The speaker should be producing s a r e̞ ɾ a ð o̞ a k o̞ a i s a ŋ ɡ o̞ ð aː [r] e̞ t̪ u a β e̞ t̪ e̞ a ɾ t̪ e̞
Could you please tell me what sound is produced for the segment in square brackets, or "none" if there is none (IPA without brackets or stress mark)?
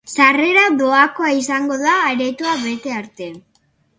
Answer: ɾ